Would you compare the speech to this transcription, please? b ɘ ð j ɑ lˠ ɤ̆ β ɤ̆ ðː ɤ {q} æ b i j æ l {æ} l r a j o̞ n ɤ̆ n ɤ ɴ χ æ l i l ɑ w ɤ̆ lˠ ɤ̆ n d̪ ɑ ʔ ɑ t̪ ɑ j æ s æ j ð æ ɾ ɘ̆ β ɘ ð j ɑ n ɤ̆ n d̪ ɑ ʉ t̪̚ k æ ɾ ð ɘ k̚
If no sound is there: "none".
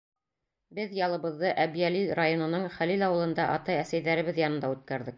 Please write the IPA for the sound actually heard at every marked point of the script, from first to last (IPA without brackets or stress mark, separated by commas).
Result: ʔ, i